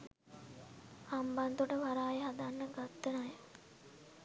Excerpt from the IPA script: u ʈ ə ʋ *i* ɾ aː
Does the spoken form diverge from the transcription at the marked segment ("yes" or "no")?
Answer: yes